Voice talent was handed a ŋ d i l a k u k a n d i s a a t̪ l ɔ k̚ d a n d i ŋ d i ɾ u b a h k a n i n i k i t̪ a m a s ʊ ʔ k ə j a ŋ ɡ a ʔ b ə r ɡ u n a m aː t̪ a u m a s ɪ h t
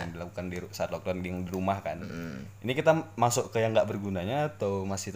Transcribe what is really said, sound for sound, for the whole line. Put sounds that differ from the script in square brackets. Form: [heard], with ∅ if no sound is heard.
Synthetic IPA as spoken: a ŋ d i l a k u k a n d i s a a t̪ l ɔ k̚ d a n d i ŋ d i ɾ u [m] a h k a n i n i k i t̪ a m a s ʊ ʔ k ə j a ŋ ɡ a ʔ b ə r ɡ u n a [ɲ] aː t̪ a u m a s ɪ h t